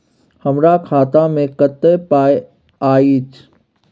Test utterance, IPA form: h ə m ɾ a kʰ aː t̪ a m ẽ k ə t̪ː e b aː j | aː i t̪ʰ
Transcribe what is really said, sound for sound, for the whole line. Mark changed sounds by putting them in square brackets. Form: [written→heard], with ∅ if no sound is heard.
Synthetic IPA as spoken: h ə m ɾ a kʰ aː t̪ a m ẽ k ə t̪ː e [b→p] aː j | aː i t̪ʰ